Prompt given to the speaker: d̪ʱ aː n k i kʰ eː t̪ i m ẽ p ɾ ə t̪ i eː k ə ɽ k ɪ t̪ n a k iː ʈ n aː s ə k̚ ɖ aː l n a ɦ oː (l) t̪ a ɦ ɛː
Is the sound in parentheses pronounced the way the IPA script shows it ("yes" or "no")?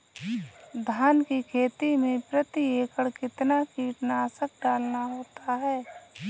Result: no